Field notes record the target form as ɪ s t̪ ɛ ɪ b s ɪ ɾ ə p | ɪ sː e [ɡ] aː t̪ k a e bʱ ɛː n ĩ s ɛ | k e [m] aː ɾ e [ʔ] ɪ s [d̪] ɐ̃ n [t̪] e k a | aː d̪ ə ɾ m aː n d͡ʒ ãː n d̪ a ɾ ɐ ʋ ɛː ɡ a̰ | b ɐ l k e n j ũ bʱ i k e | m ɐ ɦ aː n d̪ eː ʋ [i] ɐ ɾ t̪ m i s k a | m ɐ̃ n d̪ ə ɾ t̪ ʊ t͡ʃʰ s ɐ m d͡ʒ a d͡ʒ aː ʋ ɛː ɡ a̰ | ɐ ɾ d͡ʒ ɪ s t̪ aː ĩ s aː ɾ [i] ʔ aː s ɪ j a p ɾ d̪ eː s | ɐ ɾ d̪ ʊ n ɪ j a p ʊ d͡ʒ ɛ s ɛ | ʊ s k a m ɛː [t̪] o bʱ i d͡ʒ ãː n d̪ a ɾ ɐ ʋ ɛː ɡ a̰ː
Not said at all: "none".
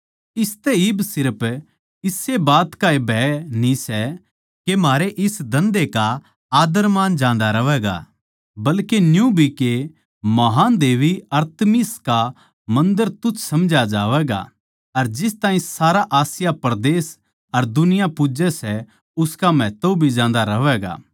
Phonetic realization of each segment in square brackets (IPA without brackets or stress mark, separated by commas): b, m, ʔ, d̪, d̪, i, a, t̪